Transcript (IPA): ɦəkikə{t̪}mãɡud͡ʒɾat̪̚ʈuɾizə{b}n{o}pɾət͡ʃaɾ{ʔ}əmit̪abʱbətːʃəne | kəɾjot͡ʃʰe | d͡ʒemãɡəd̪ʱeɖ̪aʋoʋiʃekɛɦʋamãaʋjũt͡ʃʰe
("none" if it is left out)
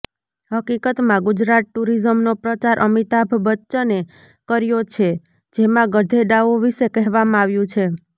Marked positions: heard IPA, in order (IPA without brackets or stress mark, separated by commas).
t̪, m, o, ʔ